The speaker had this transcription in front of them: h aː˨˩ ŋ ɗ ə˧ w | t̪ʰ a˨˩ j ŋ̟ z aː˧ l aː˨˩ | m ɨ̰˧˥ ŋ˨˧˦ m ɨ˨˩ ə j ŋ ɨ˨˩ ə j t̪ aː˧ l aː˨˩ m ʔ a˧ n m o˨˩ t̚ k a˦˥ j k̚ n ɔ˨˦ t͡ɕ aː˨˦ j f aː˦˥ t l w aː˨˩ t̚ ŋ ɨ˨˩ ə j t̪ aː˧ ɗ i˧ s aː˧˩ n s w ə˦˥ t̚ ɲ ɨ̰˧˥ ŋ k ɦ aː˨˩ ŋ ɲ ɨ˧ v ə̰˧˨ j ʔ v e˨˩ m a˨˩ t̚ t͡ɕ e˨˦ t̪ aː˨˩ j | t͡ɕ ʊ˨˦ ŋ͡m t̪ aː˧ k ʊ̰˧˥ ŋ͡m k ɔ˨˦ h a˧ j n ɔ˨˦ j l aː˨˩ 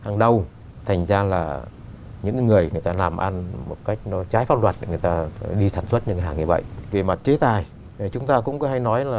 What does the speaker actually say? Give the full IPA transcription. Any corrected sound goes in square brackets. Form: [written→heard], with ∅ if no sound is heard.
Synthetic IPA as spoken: h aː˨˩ ŋ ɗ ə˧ w | t̪ʰ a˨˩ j ŋ̟ z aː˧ l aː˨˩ | [m→ɲ] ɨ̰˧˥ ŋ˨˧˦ [m→ŋ] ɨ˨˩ ə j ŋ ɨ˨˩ ə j t̪ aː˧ l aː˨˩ m ʔ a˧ n m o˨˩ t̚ k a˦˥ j k̚ n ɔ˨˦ t͡ɕ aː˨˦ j f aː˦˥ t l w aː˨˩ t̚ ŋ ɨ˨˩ ə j t̪ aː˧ ɗ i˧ s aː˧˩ n s w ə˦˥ t̚ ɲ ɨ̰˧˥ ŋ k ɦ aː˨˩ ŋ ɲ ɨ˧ v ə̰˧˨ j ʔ v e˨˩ m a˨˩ t̚ t͡ɕ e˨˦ t̪ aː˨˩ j | t͡ɕ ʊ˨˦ ŋ͡m t̪ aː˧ k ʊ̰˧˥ ŋ͡m k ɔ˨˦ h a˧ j n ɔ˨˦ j l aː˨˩

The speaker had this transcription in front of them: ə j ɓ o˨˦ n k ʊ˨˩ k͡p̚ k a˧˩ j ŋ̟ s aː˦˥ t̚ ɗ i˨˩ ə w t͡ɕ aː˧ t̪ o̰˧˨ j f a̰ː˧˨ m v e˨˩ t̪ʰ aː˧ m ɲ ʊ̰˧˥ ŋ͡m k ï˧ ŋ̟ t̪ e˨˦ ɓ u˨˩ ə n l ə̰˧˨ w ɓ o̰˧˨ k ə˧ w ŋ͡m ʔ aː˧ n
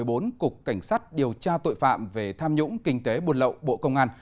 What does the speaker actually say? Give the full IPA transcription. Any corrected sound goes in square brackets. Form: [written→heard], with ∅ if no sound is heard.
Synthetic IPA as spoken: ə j ɓ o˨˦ n k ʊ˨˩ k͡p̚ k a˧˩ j ŋ̟ s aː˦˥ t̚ ɗ i˨˩ ə w t͡ɕ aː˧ t̪ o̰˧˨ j f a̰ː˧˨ m v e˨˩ t̪ʰ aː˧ m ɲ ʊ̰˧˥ ŋ͡m k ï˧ ŋ̟ t̪ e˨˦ ɓ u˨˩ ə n l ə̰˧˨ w ɓ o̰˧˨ k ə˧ w ŋ͡m ʔ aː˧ n

